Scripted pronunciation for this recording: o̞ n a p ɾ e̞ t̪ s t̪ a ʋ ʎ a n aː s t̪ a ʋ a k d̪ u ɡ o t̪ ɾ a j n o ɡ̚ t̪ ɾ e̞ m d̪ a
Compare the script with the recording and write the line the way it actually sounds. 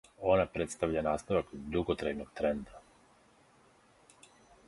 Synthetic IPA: o̞ n a p ɾ e̞ t̪ s t̪ a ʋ ʎ a n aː s t̪ a ʋ a k d̪ u ɡ o t̪ ɾ a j n o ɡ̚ t̪ ɾ e̞ n d̪ a

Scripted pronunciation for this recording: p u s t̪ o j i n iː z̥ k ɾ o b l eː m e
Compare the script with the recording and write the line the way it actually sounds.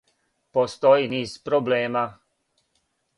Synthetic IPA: p o s t̪ o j i n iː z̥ p ɾ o b l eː m a

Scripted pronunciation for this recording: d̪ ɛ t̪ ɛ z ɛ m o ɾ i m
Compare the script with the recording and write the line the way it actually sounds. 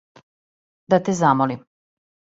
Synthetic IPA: d̪ a t̪ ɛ z a m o l i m

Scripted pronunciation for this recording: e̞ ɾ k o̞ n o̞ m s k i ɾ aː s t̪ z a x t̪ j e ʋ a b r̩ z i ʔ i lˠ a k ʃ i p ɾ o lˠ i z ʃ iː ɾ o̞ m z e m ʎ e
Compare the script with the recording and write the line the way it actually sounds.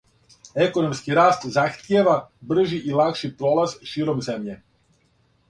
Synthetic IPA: e̞ k o̞ n o̞ m s k i ɾ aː s t̪ z a x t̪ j e ʋ a b r̩ ʒ i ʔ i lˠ a k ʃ i p ɾ o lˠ a z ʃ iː ɾ o̞ m z e m ʎ e

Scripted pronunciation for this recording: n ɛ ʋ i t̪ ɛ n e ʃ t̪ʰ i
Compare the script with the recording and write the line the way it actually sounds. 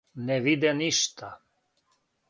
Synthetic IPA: n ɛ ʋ i d̪ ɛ n i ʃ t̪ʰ a

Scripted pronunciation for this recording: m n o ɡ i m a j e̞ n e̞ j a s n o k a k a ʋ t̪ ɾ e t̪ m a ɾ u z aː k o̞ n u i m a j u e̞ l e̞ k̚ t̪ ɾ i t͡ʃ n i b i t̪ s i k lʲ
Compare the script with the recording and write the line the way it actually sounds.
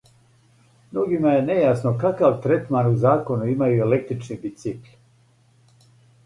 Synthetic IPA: m n o ɡ i m a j e̞ n e̞ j a s n o k a k a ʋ t̪ ɾ e t̪ m a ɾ u z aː k o̞ n u i m a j u e̞ l e̞ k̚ t̪ ɾ i t͡ʃ n i b i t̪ s i k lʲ

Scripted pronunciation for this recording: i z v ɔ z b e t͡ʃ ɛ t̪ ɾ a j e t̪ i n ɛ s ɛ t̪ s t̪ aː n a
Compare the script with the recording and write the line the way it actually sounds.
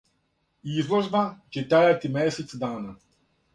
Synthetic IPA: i z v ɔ ʒ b a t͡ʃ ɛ t̪ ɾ a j a t̪ i m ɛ s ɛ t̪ s d̪ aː n a

